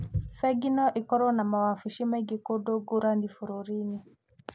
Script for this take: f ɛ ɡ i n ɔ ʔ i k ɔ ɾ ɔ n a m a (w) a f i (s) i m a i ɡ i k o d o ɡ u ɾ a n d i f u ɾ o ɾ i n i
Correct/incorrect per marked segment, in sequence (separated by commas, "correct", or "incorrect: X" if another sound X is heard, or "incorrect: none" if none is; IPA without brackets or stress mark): correct, incorrect: ʃ